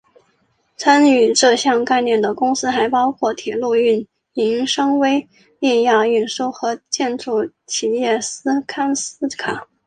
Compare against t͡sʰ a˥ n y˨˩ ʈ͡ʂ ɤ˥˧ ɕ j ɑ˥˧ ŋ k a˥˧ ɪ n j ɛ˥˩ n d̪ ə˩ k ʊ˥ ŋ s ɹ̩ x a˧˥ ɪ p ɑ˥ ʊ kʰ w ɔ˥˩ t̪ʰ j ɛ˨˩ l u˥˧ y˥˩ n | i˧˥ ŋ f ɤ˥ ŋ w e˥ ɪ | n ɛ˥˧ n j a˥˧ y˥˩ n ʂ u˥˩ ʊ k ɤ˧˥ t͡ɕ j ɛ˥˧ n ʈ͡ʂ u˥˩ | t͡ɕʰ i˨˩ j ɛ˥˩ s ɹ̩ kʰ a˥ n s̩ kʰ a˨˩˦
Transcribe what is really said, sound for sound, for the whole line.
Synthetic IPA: t͡sʰ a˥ n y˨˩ ʈ͡ʂ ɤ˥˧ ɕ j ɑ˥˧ ŋ k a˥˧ ɪ n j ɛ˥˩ n d̪ ə˩ k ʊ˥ ŋ s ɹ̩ x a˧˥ ɪ p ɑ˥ ʊ kʰ w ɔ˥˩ t̪ʰ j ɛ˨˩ l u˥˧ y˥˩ n | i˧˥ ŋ ʂ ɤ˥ ŋ w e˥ ɪ | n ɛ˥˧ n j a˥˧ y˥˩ n ʂ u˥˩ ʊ x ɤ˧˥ t͡ɕ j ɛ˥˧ n ʈ͡ʂ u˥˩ | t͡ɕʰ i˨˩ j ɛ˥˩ s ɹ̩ kʰ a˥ n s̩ kʰ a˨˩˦